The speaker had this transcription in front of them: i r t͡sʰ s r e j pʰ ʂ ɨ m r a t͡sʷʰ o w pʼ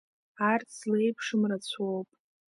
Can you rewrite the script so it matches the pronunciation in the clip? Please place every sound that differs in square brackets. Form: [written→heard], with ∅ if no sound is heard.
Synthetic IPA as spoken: [i→a] r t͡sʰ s [r→l] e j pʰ ʂ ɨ m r a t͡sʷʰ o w pʼ